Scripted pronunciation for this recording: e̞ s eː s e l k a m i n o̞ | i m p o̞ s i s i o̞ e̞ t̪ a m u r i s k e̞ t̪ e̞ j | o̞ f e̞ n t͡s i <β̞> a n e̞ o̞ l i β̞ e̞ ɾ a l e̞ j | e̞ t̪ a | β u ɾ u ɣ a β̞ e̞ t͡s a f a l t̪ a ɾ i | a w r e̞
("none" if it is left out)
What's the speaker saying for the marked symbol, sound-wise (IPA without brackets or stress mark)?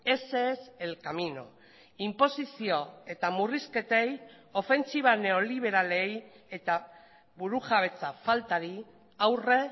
β̞